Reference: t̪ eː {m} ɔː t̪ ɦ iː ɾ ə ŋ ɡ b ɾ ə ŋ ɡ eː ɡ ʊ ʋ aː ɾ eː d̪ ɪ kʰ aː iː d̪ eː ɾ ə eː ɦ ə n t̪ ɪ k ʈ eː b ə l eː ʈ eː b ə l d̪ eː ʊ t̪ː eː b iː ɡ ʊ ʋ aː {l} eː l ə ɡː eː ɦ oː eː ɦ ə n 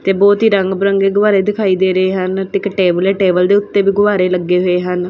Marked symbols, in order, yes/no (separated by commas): no, no